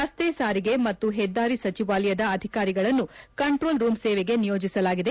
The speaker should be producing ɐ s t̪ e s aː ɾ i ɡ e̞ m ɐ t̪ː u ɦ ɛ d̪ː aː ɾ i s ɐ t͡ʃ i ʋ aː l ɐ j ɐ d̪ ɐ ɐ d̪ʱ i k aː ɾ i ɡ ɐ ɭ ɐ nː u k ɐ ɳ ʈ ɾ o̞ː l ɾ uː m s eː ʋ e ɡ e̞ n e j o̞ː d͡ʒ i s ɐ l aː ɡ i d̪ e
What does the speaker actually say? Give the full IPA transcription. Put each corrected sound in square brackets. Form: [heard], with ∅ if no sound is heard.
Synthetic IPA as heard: ɐ s t̪ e s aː ɾ i ɡ e̞ m ɐ t̪ː u ɦ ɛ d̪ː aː ɾ i s ɐ t͡ʃ i ʋ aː l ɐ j ɐ d̪ ɐ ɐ d̪ʱ i k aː ɾ i ɡ ɐ ɭ ɐ nː u k ɐ ɳ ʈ ɾ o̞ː l ɾ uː m s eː ʋ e ɡ e̞ n [i] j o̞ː d͡ʒ i s ɐ l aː ɡ i d̪ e